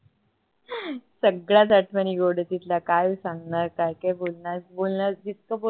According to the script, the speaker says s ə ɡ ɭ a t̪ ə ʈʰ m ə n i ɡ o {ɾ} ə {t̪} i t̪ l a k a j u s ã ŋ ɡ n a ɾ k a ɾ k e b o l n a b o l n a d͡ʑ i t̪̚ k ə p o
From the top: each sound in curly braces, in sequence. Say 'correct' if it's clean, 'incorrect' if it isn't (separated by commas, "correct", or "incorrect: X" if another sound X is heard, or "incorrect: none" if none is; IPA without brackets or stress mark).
incorrect: ɽ, correct